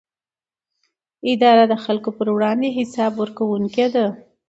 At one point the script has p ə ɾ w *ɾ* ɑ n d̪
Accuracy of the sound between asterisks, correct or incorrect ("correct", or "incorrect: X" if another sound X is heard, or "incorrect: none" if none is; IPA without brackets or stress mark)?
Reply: incorrect: ɽ